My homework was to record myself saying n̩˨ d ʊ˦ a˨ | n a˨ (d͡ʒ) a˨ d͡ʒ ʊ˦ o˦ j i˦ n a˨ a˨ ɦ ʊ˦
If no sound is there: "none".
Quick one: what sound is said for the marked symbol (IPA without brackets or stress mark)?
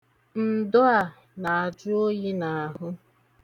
none